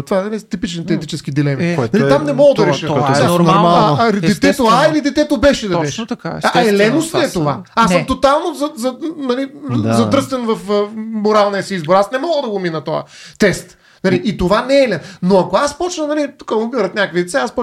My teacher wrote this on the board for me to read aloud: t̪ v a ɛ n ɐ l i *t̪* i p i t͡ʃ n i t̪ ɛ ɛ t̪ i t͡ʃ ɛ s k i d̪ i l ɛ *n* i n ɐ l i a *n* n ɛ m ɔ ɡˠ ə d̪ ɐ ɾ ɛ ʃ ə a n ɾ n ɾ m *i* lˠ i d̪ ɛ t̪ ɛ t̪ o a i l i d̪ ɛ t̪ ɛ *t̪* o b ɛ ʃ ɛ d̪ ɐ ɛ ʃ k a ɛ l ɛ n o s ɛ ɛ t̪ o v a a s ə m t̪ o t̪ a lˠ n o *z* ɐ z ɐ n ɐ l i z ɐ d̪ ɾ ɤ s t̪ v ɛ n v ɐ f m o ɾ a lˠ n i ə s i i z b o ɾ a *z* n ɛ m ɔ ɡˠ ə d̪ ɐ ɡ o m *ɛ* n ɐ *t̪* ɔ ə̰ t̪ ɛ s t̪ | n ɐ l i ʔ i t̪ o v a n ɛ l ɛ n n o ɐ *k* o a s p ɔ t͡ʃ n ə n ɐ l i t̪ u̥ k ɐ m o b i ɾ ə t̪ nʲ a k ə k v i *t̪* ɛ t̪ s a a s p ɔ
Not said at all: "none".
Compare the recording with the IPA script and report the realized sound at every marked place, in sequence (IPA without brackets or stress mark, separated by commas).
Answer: t̪, m, m, a, t̪, z, s, i, t̪, k, d̪